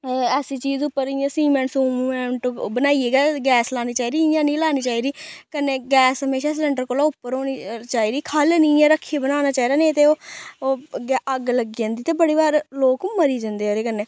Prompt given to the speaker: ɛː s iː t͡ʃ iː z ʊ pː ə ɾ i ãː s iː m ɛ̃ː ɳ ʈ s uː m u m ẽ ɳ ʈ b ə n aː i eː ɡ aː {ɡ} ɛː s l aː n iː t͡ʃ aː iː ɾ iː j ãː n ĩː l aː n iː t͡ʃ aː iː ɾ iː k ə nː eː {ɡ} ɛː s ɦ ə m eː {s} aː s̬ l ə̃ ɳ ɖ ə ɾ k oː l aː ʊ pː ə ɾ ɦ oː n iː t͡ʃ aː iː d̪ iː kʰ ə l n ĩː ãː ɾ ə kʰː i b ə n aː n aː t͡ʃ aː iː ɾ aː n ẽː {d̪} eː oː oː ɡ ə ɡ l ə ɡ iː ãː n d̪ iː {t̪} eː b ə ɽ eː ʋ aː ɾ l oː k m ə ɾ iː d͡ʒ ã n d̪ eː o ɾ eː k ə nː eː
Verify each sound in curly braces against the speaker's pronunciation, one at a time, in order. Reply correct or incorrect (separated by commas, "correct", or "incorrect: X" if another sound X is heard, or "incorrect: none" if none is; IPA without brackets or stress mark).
correct, correct, incorrect: ʃ, incorrect: t̪, correct